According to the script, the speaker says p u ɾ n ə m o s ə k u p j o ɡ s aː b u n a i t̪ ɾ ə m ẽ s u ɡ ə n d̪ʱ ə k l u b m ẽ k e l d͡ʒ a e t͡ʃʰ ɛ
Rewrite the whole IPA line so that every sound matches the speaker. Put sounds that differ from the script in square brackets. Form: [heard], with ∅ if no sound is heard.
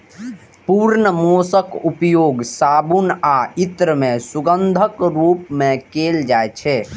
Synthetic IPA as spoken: p u ɾ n ə m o s ə k u p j o ɡ s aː b u n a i t̪ ɾ ə m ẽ s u ɡ ə n d̪ʱ ə k [ɾ] u [p] m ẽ k e l d͡ʒ a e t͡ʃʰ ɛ